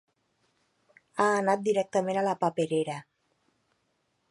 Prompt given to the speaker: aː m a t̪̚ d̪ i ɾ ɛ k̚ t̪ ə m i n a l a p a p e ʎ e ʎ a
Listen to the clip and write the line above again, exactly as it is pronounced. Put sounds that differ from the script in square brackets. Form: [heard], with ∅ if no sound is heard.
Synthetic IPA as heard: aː [n] a t̪̚ d̪ i ɾ ɛ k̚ t̪ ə m [e] n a l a p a p e [ɾ] e [ɾ] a